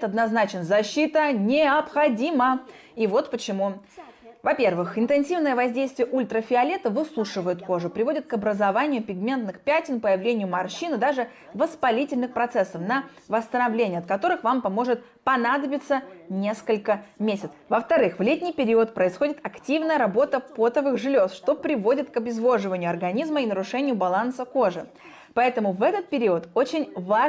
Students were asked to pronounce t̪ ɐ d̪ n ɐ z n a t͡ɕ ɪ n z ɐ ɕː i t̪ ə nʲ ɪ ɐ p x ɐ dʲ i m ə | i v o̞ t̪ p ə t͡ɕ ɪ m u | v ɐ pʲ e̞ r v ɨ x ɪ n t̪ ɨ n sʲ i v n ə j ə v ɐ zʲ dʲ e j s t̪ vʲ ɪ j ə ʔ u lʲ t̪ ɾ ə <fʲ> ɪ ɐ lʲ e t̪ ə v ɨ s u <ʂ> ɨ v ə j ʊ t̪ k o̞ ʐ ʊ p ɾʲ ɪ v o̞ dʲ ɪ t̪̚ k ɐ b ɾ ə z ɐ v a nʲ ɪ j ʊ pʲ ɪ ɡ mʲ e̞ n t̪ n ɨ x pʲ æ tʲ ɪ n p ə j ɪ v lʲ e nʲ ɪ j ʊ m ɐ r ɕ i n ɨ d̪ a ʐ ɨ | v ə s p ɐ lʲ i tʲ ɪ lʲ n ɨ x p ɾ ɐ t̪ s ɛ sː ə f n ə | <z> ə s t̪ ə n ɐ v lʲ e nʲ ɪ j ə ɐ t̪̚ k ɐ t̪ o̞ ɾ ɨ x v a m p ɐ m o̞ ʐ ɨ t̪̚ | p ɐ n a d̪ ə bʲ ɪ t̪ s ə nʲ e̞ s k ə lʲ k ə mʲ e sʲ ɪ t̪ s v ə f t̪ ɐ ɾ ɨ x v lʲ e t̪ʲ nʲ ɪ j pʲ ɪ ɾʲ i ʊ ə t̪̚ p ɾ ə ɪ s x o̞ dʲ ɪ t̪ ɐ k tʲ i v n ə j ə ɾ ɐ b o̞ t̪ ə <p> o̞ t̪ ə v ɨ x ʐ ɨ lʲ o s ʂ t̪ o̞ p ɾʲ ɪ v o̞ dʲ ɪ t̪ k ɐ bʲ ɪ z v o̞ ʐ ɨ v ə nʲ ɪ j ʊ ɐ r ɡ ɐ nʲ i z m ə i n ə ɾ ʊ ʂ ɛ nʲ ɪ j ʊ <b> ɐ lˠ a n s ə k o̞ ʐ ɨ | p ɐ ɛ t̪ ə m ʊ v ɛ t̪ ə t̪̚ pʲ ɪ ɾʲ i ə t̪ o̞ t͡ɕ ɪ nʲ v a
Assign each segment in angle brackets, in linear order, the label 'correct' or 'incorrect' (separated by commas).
correct, correct, incorrect, correct, correct